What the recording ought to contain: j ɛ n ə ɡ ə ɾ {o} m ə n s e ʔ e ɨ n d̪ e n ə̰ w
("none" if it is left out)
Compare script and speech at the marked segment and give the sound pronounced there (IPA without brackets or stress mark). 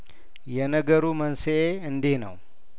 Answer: u